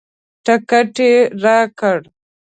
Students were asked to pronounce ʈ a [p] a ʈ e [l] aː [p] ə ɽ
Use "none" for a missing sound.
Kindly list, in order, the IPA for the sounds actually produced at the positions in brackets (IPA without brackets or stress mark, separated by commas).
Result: k, ɾ, k